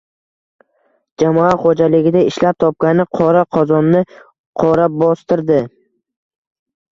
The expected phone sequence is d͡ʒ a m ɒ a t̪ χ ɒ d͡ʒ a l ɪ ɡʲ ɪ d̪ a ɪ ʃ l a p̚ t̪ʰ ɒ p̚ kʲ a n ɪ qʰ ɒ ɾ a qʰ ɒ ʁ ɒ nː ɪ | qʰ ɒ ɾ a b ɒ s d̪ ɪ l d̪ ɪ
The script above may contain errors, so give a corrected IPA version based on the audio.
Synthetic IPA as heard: d͡ʒ a m ɒ a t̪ χ o d͡ʒ a l ɪ ɡʲ ɪ d̪ a ɪ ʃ l a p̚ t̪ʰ ɒ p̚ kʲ a n ɪ qʰ ɒ ɾ a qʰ ɒ z ɒ nː ɪ | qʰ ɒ ɾ a b ɒ s t̪ ɪ ɾ d̪ ɪ

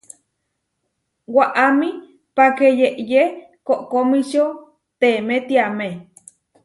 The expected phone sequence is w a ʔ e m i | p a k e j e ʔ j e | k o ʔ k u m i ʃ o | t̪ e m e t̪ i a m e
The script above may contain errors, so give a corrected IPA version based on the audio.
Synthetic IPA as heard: w a ʔ a m i | p a k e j e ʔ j e | k o ʔ k o m i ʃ o | t̪ e m e t̪ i a m e

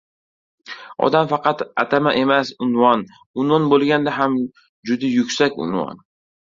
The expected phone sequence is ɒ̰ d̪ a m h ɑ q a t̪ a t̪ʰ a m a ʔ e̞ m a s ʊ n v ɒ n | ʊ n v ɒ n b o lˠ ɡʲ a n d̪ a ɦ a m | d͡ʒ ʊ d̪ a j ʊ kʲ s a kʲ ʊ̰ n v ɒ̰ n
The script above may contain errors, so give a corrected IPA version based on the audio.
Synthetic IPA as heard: ɒ̰ d̪ a m f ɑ q ɑ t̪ a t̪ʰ a m a ʔ e̞ m a s ʊ n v ɒ n | ʊ n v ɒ n b o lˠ ɡʲ a n d̪ a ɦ a m | d͡ʒ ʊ d̪ a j ʊ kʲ s a kʲ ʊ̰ n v ɒ̰ n

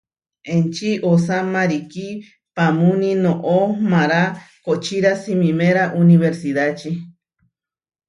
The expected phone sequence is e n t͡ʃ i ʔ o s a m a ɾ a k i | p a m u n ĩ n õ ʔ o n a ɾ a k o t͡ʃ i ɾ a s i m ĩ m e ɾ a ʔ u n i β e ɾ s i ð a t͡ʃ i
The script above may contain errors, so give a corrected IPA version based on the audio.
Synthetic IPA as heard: e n t͡ʃ i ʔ o s a m a ɾ i k i | p a m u n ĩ n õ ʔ o m a ɾ a k o t͡ʃ i ɾ a s i m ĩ m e ɾ a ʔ u n i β e ɾ s i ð a t͡ʃ i

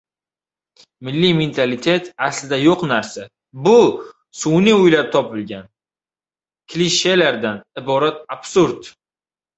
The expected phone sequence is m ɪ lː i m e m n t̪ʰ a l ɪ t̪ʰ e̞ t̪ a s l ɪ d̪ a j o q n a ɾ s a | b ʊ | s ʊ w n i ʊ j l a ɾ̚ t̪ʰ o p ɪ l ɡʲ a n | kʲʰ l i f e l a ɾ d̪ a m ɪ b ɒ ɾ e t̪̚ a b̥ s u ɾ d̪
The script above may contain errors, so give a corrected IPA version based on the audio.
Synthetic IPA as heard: m ɪ lː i m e n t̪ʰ a l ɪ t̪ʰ e̞ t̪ a s l ɪ d̪ a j o q n a ɾ s a | b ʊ | s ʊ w n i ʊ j l a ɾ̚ t̪ʰ ɒ p ɪ l ɡʲ a n | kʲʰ l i ʃ e l a ɾ d̪ a n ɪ b ɒ ɾ a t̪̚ a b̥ s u ɾ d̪

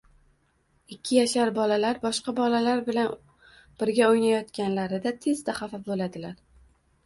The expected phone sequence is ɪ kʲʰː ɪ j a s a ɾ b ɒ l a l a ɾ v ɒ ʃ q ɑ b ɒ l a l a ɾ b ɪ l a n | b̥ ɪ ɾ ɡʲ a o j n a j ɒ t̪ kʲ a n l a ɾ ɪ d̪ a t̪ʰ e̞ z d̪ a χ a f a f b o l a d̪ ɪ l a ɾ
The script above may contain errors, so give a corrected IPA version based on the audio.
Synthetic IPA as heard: ɪ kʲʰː ɪ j a ʃ a ɾ b ɒ l a l a ɾ b ɒ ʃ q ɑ b ɒ l a l a ɾ b ɪ l a n | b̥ ɪ ɾ ɡʲ a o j n a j ɒ t̪ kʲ a n l a ɾ ɪ d̪ a t̪ʰ e̞ z d̪ a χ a f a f b o l a d̪ ɪ l a ɾ

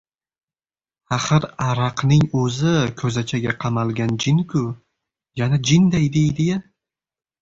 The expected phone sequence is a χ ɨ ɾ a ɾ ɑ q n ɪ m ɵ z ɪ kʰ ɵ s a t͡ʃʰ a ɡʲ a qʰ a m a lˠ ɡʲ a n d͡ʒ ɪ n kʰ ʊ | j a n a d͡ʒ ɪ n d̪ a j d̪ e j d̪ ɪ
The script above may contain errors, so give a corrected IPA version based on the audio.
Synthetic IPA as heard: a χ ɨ ɾ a ɾ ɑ q n ɪ ŋ ɵ z ɪ kʰ ɵ z a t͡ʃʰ a ɡʲ a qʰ ɑ m a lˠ ɡʲ a n d͡ʒ ɪ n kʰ ʊ | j a n a d͡ʒ ɪ n d̪ a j d̪ e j d̪ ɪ

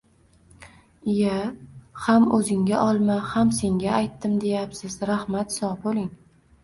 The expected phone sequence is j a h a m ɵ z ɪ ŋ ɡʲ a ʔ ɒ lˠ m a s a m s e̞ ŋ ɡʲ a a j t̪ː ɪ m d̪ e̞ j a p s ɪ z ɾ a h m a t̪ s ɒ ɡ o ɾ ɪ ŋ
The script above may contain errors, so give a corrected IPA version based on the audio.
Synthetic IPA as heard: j a h a m ɵ z ɪ ŋ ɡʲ a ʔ ɒ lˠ m a h a m s e̞ ŋ ɡʲ a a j t̪ː ɪ m d̪ e̞ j a p s ɪ z ɾ a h m a t̪ s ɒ b o l ɪ ŋ

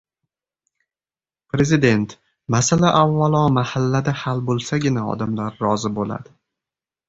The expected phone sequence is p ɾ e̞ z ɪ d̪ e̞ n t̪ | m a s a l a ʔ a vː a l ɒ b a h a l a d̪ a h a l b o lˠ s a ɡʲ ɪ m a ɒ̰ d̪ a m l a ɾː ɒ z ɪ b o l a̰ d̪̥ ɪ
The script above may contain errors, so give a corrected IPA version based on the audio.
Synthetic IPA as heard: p ɾ e̞ z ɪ d̪ e̞ n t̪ | m a s a l a ʔ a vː a l ɒ m a h a lː a d̪ a h a l b o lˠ s a ɡʲ ɪ n a ɒ̰ d̪ a m l a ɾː ɒ z ɪ b o l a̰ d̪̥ ɪ

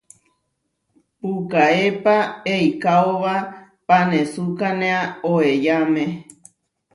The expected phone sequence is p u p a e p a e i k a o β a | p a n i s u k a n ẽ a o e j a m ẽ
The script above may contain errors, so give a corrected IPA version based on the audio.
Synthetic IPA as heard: p u k a e p a e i k a o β a | p a n e s u k a n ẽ a o e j a m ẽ

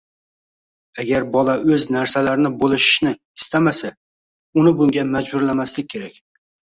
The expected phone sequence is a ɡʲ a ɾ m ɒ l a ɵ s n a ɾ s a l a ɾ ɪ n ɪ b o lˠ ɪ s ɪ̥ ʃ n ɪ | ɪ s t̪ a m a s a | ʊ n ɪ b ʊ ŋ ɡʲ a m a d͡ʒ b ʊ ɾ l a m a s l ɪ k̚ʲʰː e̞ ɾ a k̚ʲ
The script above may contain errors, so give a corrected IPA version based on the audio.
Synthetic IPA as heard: a ɡʲ a ɾ b ɒ l a ɵ z n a ɾ s a l a ɾ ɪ n ɪ b o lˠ ɪ ʃ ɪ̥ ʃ n ɪ | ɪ s t̪ a m a s a | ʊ n ɪ b ʊ ŋ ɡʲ a m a d͡ʒ b ʊ ɾ l a m a s l ɪ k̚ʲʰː e̞ ɾ a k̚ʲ

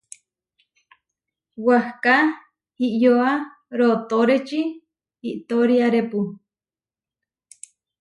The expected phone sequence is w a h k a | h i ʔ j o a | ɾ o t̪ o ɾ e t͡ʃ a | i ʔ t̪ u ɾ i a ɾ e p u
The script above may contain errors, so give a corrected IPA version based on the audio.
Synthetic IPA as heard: w a h k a | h i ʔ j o a | ɾ o t̪ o ɾ e t͡ʃ i | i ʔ t̪ o ɾ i a ɾ e p u

